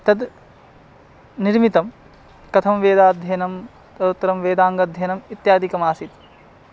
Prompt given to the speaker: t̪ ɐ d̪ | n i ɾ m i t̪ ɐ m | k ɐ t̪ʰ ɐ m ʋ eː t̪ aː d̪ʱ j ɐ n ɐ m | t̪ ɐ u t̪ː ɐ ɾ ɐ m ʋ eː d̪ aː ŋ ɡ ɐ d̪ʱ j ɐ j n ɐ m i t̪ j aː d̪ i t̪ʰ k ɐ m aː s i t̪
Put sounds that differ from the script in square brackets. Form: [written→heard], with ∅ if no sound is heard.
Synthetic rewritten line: t̪ ɐ d̪ | n i ɾ m i t̪ ɐ m | k ɐ t̪ʰ ɐ m ʋ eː [t̪→d̪] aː d̪ʱ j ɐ n ɐ m | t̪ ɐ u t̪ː ɐ ɾ ɐ m ʋ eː d̪ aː ŋ ɡ ɐ d̪ʱ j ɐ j n ɐ m i t̪ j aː d̪ i [t̪ʰ→∅] k ɐ m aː s i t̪